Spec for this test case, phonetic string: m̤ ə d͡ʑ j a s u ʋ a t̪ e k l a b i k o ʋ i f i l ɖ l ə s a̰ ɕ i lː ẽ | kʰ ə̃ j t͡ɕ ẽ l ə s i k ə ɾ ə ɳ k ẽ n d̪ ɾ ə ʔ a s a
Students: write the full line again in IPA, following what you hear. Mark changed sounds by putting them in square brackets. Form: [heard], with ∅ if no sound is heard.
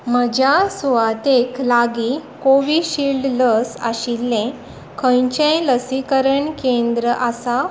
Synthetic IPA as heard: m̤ ə d͡ʑ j a s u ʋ a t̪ e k l a [ɡ] i k o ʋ i [ɕ] i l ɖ l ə s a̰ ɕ i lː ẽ | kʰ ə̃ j t͡ɕ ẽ l ə s i k ə ɾ ə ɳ k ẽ n d̪ ɾ ə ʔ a s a

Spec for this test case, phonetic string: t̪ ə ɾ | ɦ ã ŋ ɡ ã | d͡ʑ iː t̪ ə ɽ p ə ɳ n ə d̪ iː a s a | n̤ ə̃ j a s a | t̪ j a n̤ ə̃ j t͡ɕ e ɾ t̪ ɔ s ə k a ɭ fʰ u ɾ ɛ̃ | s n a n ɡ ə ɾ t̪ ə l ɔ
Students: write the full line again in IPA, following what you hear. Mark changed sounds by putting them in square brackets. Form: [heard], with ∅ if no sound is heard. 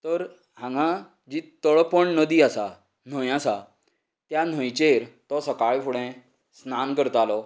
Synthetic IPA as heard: t̪ ə ɾ | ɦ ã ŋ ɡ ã | d͡ʑ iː t̪ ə [ɭ] p ə ɳ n ə d̪ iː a s a | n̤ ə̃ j a s a | t̪ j a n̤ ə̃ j t͡ɕ e ɾ t̪ ɔ s ə k a ɭ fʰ u [ɽ] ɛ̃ | s n a n [k] ə ɾ t̪ [a] l ɔ

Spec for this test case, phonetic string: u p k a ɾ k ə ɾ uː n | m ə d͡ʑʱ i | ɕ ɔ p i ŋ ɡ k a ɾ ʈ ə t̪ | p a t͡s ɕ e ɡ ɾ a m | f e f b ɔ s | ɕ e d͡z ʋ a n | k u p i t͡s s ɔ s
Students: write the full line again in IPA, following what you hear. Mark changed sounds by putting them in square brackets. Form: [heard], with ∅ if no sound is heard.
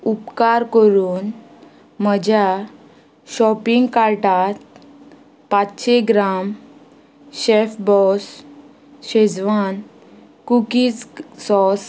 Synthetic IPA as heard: u p k a ɾ k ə ɾ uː n | m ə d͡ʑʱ [a] | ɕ ɔ p i ŋ ɡ k a ɾ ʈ [a] t̪ | p a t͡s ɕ e ɡ ɾ a m | [ɕ] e f b ɔ s | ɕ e d͡z ʋ a n | k u [k] i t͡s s ɔ s

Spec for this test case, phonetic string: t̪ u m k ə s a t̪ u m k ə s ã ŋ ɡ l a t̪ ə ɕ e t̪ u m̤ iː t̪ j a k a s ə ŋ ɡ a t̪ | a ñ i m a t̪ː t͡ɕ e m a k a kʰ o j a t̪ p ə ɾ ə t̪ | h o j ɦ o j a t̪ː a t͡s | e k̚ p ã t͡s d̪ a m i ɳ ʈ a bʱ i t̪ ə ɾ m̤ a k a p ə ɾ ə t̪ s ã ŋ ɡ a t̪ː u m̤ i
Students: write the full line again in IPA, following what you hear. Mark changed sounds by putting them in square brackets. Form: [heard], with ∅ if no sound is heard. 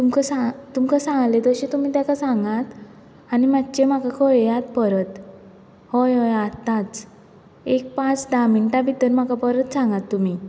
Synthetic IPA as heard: t̪ u m k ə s a t̪ u m k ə s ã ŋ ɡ l [e] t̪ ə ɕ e t̪ u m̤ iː t̪ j a k a s [a] ŋ ɡ a t̪ | a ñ i m a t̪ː t͡ɕ e m a k a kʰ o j a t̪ p ə ɾ ə t̪ | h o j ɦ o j a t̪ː a t͡s | e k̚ p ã t͡s d̪ a m i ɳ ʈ a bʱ i t̪ ə ɾ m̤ a k a p ə ɾ ə t̪ s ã ŋ ɡ a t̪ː u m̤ i

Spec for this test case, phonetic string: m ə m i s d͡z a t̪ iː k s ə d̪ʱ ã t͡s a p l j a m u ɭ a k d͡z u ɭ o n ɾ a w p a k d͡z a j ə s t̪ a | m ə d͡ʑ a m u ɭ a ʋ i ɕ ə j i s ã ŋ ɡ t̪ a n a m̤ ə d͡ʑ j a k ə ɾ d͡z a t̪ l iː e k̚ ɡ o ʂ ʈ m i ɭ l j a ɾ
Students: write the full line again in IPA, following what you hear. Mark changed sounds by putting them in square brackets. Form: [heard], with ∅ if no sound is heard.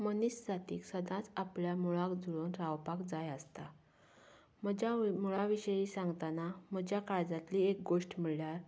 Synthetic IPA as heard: m ə [n] i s d͡z a t̪ iː k s ə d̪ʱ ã t͡s a p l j a m u ɭ a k d͡z u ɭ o n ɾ a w p a k d͡z a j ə s t̪ a | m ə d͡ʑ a m u ɭ a ʋ i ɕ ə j i s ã ŋ ɡ t̪ a n a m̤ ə d͡ʑ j a k [a] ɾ d͡z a t̪ l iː e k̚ ɡ o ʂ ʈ m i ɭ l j a ɾ

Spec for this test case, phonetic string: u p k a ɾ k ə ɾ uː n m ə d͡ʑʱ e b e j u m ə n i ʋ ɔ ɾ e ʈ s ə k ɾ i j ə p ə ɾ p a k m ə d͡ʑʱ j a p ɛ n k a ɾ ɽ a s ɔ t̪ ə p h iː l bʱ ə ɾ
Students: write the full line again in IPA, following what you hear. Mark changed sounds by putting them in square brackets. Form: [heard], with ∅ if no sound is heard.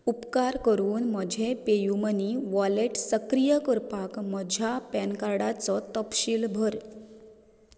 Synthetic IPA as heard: u p k a ɾ k ə ɾ uː n m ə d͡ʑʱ e [p] e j u m ə n i ʋ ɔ [l] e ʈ s ə k ɾ i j ə [k] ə ɾ p a k m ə d͡ʑʱ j a p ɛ n k a ɾ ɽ a [t͡s] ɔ t̪ ə p [ɕ] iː l bʱ ə ɾ

